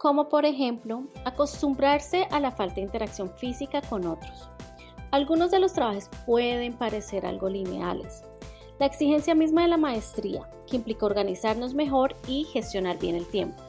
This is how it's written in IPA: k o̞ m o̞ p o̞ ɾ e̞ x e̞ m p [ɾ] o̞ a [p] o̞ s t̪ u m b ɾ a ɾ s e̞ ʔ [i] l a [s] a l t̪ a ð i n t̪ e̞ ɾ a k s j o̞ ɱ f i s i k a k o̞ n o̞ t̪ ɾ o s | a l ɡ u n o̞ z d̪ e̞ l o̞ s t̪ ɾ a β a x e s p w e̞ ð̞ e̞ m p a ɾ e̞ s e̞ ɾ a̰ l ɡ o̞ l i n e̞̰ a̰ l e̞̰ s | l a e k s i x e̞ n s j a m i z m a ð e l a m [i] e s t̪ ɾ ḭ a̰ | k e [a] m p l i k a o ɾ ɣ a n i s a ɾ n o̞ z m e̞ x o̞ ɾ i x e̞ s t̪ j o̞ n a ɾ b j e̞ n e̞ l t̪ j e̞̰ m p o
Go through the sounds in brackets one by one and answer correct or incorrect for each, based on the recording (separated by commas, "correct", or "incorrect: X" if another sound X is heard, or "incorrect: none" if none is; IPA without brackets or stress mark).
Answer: incorrect: l, incorrect: k, incorrect: a, incorrect: f, incorrect: a, incorrect: i